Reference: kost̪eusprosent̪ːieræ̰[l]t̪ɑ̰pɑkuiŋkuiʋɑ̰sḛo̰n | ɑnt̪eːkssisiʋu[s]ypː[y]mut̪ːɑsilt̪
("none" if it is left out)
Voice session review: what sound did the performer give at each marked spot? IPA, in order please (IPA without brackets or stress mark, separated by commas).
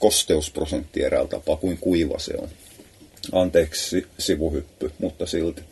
l, h, y